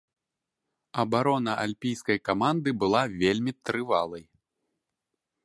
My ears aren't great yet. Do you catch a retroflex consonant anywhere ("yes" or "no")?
no